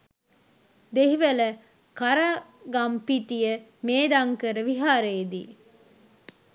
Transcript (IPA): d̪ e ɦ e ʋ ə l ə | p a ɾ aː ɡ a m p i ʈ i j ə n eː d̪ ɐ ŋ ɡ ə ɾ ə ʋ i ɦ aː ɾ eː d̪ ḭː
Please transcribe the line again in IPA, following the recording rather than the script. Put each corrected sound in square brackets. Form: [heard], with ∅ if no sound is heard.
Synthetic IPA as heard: d̪ e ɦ [i] ʋ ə l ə | [k] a ɾ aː ɡ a m p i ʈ i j ə [m] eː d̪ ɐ ŋ [k] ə ɾ ə ʋ i ɦ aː ɾ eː d̪ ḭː

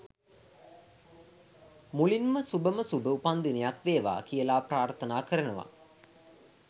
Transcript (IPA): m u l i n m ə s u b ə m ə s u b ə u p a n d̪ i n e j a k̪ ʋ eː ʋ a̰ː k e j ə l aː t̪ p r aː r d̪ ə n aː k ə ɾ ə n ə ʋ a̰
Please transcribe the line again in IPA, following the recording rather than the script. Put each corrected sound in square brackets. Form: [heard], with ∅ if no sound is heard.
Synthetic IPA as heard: m u l i n m ə s u b ə m ə s u b ə u p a n d̪ i n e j a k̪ ʋ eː ʋ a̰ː k [i] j ə l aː [∅] p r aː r [t̪] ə n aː k ə ɾ ə n ə ʋ a̰

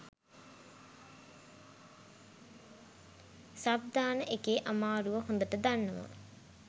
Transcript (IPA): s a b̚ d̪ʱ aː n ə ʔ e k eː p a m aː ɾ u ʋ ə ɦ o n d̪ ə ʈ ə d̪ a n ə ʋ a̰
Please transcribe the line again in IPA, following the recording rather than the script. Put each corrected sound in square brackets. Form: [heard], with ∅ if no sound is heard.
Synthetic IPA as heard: s a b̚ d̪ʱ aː n ə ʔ e k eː [ʔ] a m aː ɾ u ʋ ə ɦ o n d̪ ə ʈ ə d̪ a [nː] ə ʋ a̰

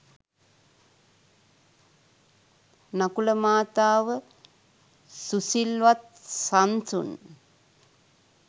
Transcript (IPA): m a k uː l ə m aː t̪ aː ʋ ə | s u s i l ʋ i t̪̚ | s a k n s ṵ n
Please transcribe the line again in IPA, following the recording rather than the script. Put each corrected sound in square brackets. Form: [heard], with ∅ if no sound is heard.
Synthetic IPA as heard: [n] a k [u] l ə m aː t̪ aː ʋ ə | s u s i l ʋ [a] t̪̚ | s a [∅] n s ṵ n

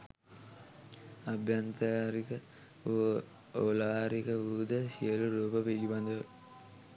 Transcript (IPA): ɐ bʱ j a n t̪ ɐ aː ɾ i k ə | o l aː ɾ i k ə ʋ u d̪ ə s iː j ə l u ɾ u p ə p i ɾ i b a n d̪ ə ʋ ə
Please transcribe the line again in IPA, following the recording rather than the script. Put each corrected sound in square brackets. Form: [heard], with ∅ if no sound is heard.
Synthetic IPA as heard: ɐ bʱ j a n t̪ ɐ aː ɾ i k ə | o l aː ɾ i k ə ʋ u d̪ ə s [i] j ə l u ɾ [uː] p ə p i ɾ i b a n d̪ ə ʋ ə

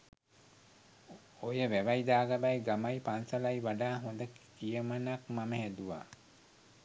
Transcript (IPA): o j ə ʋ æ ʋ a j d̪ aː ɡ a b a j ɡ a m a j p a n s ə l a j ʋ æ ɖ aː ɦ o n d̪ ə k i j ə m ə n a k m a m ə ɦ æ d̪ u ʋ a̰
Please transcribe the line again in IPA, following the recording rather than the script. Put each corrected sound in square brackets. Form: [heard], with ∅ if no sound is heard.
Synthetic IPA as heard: o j ə ʋ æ ʋ a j d̪ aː ɡ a b a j ɡ a m a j p a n s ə l a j ʋ [a] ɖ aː ɦ o n d̪ ə k i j ə m ə n a k m a m ə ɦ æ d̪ u ʋ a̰

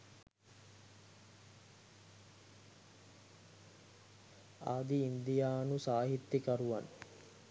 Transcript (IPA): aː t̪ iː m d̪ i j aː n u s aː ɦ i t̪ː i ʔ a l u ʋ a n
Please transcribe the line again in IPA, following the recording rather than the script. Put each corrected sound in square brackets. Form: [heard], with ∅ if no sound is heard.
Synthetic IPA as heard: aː [d̪] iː [n] d̪ i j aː n u s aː ɦ i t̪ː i [k] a [ɾ] u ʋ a n

